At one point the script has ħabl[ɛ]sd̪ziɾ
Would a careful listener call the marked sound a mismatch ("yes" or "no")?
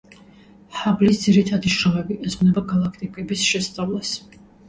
yes